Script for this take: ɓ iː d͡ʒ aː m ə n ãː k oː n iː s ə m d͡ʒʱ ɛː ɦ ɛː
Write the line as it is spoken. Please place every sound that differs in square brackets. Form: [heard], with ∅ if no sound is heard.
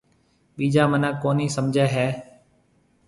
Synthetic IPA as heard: ɓ iː d͡ʒ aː m ə n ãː k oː n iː s ə m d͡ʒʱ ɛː ɦ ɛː

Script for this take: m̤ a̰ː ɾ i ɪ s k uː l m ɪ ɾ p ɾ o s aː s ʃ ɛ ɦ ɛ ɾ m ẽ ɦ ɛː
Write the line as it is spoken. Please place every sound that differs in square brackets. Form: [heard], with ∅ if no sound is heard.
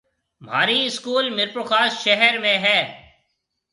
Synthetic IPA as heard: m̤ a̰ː ɾ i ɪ s k uː l m ɪ ɾ p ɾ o [x] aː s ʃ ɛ ɦ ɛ ɾ m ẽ ɦ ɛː

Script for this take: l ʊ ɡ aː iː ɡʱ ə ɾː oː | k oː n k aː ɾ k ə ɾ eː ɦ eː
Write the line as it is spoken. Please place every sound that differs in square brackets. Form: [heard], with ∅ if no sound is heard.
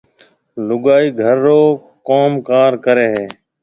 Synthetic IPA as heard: l ʊ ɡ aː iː ɡʱ ə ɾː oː | k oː [m] k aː ɾ k ə ɾ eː ɦ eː

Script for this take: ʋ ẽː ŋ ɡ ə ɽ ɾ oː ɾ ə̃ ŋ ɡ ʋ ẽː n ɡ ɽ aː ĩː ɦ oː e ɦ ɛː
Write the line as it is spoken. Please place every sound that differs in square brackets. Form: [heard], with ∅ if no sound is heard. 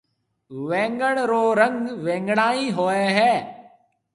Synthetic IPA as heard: ʋ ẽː ŋ ɡ ə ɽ ɾ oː ɾ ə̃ ŋ ɡ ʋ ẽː [ŋ] ɡ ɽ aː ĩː ɦ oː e ɦ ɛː

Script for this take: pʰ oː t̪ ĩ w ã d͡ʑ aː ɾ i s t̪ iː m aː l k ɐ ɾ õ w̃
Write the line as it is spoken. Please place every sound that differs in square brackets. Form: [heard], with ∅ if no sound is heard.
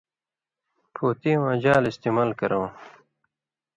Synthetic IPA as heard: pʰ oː t̪ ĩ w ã d͡ʑ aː [l] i s t̪ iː m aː l k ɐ ɾ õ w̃

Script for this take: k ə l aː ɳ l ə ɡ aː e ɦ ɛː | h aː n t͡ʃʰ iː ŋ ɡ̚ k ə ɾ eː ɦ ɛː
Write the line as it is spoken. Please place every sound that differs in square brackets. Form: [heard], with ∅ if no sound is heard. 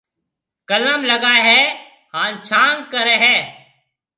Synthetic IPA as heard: k ə l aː [m] l ə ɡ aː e ɦ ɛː | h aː n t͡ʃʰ [aː] ŋ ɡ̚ k ə ɾ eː ɦ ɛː

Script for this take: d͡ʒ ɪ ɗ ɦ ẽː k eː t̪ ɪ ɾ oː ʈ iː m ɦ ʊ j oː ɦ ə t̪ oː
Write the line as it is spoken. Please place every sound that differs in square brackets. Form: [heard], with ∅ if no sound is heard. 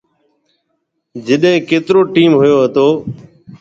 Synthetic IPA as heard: d͡ʒ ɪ ɗ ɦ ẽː k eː t̪ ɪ ɾ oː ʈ iː m ɦ ʊ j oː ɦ ə t̪ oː

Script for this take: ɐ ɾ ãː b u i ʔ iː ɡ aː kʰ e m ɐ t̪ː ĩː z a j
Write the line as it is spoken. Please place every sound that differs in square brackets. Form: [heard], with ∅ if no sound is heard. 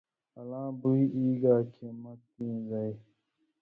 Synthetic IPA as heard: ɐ [l] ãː b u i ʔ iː ɡ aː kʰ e m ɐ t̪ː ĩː z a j

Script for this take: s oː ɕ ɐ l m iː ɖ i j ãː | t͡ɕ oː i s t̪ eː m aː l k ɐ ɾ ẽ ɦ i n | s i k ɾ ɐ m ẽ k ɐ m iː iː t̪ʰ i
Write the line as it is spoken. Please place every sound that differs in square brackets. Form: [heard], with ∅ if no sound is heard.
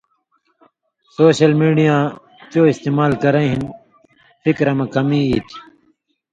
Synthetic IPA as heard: s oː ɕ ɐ l m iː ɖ i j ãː | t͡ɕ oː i s t̪ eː m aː l k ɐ ɾ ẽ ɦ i n | [f] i k ɾ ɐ m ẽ k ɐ m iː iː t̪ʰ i

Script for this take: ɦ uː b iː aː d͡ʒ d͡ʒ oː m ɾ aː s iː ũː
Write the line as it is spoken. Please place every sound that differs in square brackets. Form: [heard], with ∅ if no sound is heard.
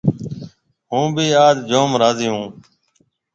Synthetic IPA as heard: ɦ [ũː] b iː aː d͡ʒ d͡ʒ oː m ɾ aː [z] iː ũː

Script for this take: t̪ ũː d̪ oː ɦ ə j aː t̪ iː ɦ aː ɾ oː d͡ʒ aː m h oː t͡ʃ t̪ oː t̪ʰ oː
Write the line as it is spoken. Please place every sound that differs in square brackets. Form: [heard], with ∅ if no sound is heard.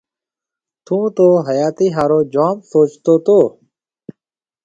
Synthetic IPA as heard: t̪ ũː [t̪] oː ɦ ə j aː t̪ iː ɦ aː ɾ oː d͡ʒ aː m [s] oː t͡ʃ t̪ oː [t̪] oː

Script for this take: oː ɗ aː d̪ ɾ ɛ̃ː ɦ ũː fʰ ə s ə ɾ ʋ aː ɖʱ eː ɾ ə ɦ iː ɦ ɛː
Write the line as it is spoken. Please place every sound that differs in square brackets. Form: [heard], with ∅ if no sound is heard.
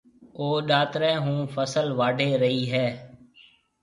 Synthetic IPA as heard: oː ɗ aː [t̪] ɾ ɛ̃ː ɦ ũː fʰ ə s ə [l] ʋ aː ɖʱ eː ɾ ə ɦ iː ɦ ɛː

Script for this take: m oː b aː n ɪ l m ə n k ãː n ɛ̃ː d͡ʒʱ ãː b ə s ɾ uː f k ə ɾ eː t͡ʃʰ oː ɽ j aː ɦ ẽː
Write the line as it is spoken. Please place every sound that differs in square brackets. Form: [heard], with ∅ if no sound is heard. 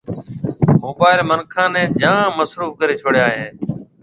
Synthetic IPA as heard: m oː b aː [∅] ɪ l m ə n [kʰ] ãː n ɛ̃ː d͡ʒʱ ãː [m] ə s ɾ uː f k ə ɾ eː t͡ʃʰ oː ɽ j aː ɦ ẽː

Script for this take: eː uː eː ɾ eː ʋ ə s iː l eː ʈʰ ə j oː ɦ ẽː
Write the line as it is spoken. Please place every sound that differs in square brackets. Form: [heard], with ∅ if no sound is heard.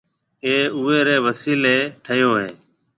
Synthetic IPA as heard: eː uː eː ɾ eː ʋ ə s iː l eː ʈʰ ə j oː ɦ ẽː

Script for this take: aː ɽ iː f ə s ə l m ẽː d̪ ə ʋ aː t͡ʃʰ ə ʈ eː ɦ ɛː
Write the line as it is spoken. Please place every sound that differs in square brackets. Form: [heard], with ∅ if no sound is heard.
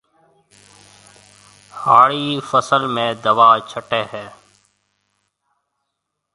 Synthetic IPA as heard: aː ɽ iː f ə s ə l m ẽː d̪ ə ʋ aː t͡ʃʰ ə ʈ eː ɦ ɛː

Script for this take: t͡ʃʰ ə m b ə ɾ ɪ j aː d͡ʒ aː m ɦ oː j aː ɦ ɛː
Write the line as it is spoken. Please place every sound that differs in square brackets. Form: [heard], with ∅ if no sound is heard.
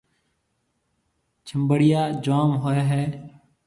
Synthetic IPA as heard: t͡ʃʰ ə m b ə [ɽ] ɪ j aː d͡ʒ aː m ɦ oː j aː ɦ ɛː

